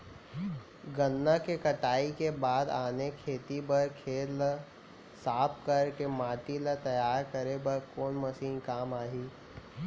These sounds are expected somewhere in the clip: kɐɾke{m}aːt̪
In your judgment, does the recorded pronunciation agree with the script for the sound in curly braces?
yes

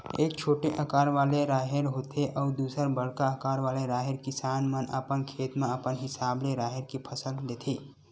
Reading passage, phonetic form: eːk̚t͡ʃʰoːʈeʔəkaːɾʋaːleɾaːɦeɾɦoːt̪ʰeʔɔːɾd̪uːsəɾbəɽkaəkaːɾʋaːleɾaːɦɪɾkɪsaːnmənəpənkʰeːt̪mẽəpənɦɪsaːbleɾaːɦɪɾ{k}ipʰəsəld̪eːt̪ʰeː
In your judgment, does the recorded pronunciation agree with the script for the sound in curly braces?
yes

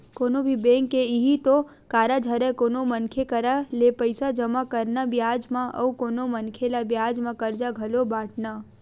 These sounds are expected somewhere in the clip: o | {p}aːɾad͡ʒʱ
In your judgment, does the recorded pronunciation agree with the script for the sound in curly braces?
no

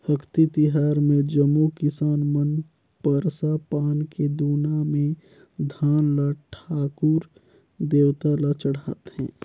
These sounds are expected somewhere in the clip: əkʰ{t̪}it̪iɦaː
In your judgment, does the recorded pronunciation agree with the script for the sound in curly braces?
yes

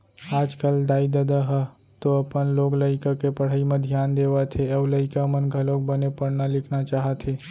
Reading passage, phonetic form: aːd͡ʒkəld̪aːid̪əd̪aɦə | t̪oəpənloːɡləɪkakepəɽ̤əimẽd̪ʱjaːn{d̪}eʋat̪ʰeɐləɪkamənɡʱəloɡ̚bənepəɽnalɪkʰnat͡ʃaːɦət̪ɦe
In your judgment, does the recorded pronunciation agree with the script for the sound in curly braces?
yes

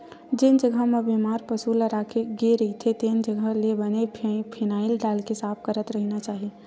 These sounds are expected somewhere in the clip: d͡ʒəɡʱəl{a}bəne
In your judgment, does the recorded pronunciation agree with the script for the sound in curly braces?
no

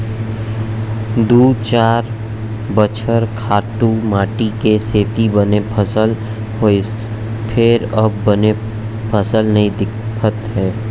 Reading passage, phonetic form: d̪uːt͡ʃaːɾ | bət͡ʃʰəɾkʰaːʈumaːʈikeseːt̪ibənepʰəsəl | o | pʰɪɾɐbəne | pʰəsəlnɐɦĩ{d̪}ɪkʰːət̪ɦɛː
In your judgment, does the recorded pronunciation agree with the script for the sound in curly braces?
yes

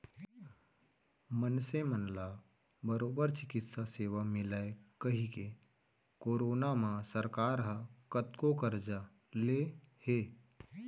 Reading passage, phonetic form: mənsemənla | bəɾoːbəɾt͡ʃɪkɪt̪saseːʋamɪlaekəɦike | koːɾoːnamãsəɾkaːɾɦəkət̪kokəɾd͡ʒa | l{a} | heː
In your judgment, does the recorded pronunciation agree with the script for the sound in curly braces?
no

